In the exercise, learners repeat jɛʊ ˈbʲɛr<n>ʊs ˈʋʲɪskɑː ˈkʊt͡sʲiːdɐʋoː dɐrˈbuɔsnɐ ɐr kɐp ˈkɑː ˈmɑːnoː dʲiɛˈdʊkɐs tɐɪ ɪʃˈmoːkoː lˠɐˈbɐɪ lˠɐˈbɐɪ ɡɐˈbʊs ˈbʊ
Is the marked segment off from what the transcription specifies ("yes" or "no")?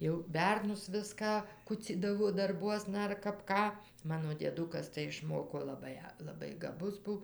no